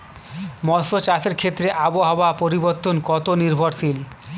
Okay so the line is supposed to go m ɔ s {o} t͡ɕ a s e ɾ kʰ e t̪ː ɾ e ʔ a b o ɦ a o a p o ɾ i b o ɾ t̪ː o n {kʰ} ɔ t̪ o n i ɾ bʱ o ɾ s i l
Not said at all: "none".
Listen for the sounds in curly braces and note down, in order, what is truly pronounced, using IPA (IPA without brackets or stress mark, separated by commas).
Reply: o, k